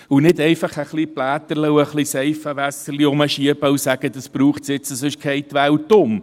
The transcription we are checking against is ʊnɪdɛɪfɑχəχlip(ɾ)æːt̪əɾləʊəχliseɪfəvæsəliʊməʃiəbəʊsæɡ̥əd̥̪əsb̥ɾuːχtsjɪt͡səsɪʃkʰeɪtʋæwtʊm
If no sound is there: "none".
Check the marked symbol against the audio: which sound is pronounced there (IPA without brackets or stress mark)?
l